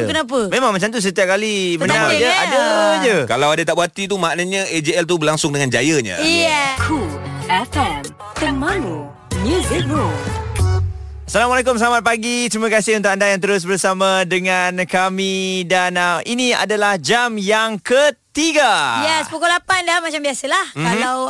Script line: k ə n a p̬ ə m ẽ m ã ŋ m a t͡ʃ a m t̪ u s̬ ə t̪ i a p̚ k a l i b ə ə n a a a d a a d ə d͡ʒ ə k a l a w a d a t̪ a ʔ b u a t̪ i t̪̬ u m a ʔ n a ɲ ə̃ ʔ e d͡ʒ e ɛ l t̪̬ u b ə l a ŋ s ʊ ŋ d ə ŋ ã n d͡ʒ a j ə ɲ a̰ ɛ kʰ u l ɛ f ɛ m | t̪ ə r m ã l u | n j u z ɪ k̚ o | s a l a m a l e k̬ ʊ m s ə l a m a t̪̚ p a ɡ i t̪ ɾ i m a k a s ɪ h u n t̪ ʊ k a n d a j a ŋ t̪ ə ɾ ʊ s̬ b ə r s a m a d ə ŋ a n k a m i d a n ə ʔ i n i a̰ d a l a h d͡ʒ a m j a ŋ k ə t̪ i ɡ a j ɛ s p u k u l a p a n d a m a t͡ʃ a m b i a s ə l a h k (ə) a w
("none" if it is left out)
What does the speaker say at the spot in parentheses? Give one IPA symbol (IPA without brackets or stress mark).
a